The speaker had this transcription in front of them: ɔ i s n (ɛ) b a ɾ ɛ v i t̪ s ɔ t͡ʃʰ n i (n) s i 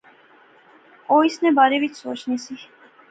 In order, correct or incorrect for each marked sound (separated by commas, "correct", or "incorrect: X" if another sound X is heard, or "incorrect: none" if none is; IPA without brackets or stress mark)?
correct, incorrect: none